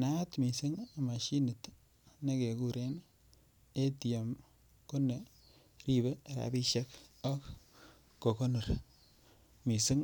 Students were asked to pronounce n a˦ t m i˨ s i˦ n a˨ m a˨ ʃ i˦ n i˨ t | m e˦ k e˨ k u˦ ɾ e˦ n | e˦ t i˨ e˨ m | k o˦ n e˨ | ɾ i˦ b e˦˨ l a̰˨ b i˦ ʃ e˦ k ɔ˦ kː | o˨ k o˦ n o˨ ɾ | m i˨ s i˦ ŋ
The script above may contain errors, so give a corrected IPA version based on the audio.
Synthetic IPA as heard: n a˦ t m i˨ s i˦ ŋ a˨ m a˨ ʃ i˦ n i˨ t | n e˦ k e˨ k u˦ ɾ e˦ n | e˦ t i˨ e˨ m | k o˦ n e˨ | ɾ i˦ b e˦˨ ɾ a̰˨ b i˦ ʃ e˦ k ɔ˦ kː | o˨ k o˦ n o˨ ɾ | m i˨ s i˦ ŋ